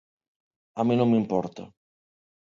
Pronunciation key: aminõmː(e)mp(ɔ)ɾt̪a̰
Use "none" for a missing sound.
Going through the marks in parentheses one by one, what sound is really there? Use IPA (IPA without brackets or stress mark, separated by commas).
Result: i, ɔ